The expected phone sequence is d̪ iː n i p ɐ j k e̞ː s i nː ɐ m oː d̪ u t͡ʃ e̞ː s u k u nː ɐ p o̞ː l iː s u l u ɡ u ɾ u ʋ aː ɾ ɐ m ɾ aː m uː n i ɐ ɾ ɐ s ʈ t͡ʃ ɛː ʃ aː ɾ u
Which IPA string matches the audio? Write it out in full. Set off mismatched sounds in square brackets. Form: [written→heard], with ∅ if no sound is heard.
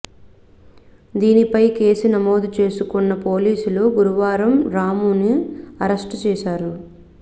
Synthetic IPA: d̪ iː n i p ɐ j k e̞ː s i [nː→n] ɐ m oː d̪ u t͡ʃ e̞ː s u k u nː ɐ p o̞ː l iː s u l u ɡ u ɾ u ʋ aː ɾ ɐ m ɾ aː m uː n i ɐ ɾ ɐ s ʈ t͡ʃ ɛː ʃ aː ɾ u